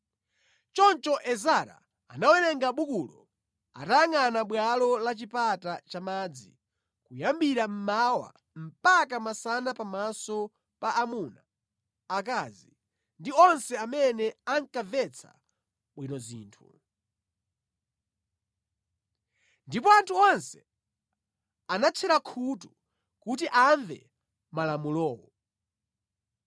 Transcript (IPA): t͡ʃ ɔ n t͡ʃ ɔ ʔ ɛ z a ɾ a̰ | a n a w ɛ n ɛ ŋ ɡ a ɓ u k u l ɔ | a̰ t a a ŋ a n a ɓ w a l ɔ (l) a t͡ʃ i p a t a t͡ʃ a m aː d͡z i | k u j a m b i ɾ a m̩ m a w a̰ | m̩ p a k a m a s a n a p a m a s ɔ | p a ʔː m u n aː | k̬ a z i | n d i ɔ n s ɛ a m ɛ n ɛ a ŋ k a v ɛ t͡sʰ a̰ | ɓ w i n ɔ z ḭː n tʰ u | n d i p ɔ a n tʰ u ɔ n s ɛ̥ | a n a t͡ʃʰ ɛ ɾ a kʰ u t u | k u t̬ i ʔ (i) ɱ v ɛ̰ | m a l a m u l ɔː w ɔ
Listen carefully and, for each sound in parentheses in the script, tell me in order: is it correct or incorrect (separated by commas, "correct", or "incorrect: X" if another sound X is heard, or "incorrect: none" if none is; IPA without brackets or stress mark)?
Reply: correct, incorrect: a